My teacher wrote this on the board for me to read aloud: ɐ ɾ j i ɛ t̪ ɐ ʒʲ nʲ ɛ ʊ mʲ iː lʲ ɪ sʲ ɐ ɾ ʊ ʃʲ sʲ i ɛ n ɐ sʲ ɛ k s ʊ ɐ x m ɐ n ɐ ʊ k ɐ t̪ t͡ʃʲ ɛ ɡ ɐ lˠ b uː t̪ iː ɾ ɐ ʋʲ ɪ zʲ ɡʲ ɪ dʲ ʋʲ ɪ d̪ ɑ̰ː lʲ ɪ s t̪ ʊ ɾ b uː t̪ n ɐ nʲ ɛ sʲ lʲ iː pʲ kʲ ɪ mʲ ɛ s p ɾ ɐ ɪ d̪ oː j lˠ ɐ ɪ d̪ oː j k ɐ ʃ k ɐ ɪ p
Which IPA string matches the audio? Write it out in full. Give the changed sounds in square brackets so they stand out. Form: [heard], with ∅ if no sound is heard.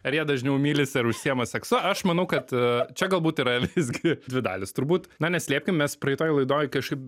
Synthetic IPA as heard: ɐ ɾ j i ɛ [d̪] ɐ ʒʲ nʲ ɛ ʊ mʲ iː lʲ ɪ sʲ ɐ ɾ ʊ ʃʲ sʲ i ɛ [m] ɐ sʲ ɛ k s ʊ ɐ [ʃ] m ɐ n ɐ ʊ k ɐ t̪ t͡ʃʲ ɛ ɡ ɐ lˠ b uː t̪ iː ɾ ɐ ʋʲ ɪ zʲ ɡʲ ɪ dʲ ʋʲ ɪ d̪ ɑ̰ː lʲ ɪ s t̪ ʊ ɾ b uː t̪ n ɐ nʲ ɛ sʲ lʲ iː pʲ kʲ ɪ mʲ ɛ s p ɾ ɐ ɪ [t̪] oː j lˠ ɐ ɪ d̪ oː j k ɐ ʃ k ɐ ɪ p